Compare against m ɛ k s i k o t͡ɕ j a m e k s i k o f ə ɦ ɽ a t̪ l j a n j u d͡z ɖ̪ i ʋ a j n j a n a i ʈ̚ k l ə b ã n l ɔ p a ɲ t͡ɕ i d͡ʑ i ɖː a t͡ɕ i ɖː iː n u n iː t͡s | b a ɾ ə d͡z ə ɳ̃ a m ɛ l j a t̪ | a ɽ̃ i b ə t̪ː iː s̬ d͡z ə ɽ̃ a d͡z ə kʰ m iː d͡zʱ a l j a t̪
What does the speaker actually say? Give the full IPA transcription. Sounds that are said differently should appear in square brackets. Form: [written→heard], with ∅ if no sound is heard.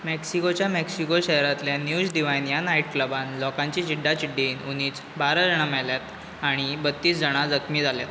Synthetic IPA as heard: m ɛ k s i k o t͡ɕ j a m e k s i k o [f→ɕ] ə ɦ [ɽ→ɾ] a t̪ l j a n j u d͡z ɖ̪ i ʋ a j n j a n a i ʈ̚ k l ə b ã n l ɔ [p→k] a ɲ t͡ɕ i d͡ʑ i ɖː a t͡ɕ i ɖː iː n u n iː t͡s | b a ɾ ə d͡z ə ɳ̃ a m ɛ l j a t̪ | a ɽ̃ i b ə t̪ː iː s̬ d͡z ə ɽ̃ a d͡z ə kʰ m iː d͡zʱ a l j a t̪